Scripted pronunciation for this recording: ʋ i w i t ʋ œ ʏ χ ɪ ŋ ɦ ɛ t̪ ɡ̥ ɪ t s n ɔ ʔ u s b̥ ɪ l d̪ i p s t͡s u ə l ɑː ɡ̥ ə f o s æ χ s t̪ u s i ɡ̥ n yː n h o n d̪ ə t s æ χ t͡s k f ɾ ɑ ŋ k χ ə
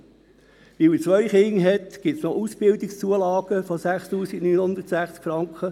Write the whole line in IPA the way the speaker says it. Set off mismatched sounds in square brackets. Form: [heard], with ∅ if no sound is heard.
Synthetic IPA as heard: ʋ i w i [t͡s] ʋ œ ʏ χ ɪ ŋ ɦ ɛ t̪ ɡ̥ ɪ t s n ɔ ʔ u s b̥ ɪ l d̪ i [k] s t͡s u ə l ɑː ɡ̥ ə f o s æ χ s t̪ [uː] s i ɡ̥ n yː n h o n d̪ ə t s æ χ t͡s k f ɾ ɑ ŋ k χ ə